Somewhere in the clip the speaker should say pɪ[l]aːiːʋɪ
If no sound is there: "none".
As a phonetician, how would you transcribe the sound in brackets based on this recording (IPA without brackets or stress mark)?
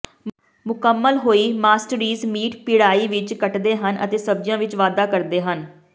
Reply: ɽ